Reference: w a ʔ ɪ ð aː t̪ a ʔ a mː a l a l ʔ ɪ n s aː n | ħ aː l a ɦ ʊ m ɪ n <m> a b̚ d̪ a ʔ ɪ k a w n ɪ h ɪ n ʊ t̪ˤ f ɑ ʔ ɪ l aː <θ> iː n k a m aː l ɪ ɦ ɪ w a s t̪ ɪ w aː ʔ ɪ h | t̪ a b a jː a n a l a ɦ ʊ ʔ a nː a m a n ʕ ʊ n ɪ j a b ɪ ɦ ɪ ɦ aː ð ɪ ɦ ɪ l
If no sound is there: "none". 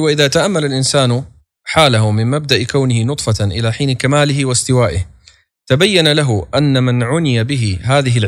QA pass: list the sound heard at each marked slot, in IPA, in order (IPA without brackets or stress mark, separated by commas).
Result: m, ħ